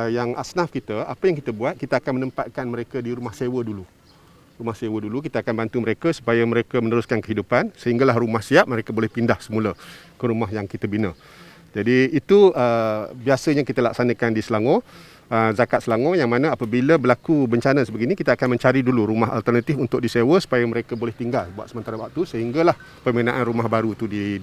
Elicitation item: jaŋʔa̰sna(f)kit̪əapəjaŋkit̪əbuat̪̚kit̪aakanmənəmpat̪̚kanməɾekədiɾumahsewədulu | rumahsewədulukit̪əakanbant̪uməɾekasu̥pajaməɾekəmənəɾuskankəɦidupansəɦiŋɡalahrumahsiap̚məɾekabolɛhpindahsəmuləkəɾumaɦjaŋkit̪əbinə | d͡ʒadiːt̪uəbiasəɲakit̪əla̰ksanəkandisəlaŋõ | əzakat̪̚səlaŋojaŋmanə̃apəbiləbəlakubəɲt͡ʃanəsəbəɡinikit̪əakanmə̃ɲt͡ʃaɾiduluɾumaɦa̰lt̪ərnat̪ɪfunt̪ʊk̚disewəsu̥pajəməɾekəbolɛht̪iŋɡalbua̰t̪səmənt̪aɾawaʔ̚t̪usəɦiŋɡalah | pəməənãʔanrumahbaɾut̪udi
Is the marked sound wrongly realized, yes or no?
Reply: no